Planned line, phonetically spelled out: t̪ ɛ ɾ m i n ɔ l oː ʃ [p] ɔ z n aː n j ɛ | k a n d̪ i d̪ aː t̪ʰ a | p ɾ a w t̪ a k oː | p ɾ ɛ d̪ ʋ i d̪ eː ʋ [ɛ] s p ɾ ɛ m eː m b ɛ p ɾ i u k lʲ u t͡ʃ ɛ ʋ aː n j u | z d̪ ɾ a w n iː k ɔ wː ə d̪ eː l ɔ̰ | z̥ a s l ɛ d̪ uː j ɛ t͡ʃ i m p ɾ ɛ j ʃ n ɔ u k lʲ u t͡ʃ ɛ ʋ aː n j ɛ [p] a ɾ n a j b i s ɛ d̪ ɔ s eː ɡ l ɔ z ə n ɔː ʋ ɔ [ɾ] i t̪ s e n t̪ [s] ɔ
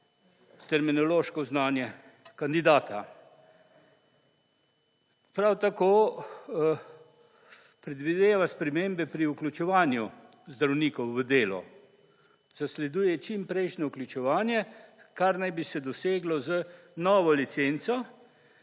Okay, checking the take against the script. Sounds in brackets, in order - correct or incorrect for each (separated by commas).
incorrect, incorrect, incorrect, incorrect, correct